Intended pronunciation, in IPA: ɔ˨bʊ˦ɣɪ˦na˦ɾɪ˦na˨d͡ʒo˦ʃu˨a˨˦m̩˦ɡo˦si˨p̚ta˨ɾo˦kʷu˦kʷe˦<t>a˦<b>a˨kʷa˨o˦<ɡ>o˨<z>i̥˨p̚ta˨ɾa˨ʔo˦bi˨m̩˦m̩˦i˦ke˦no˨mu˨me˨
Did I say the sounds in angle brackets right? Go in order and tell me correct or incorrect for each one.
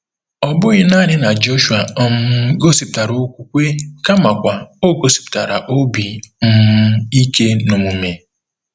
incorrect, incorrect, correct, incorrect

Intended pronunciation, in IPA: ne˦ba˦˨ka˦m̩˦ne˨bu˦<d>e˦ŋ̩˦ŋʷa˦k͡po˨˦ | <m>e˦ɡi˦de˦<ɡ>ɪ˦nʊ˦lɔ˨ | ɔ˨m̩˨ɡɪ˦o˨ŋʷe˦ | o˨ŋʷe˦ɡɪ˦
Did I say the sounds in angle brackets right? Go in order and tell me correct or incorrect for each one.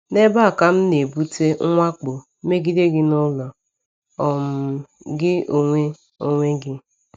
incorrect, correct, correct

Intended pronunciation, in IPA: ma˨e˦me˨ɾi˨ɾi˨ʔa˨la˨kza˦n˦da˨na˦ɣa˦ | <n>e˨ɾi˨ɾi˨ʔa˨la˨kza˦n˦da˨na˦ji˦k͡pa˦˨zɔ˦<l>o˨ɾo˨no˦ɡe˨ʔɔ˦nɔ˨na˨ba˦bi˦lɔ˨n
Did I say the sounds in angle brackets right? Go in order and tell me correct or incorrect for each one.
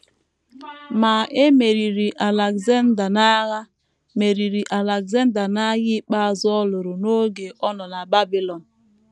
incorrect, correct

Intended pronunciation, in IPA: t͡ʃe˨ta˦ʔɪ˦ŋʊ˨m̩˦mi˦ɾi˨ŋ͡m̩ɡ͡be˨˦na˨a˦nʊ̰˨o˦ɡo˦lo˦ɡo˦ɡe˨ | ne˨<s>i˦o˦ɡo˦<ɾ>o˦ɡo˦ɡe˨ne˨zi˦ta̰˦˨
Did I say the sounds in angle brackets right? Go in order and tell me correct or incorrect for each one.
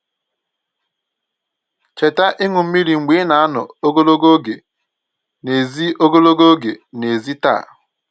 incorrect, incorrect

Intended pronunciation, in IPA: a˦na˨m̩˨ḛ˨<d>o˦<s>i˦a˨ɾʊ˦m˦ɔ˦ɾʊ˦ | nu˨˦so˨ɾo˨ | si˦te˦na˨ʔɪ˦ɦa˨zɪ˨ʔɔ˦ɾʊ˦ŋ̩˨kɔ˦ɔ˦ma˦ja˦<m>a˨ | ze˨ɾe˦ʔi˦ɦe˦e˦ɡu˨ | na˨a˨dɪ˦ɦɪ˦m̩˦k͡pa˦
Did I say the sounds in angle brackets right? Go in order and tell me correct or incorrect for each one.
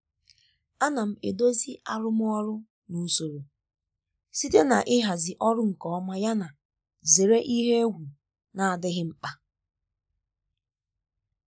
correct, incorrect, incorrect

